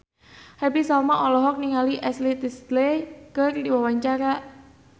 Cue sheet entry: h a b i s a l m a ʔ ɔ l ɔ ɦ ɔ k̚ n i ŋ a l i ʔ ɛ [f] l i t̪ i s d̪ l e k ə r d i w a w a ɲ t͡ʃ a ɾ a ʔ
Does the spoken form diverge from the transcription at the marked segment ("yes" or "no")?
yes